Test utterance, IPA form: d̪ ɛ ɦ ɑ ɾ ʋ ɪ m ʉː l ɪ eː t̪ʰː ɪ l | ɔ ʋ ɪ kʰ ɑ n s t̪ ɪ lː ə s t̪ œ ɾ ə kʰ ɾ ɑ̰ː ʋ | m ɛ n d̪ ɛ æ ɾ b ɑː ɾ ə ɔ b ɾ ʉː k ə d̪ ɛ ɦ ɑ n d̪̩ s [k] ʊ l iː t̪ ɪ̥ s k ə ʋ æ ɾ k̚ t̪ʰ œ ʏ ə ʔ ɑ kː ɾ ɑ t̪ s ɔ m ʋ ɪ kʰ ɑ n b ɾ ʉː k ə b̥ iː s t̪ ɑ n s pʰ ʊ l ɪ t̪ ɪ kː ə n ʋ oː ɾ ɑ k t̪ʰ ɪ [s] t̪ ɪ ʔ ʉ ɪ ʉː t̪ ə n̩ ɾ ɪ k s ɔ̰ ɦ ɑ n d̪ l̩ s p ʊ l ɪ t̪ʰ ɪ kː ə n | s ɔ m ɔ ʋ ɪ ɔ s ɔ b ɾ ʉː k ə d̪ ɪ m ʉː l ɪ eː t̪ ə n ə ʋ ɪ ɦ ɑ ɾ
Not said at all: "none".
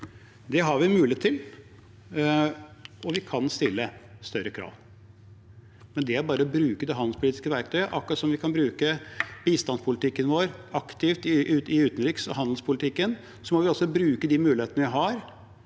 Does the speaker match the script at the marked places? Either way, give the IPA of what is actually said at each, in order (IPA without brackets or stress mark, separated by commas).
p, f